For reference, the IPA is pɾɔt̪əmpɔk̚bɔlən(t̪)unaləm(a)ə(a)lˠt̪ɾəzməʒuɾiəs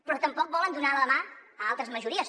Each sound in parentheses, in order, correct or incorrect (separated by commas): incorrect, correct, correct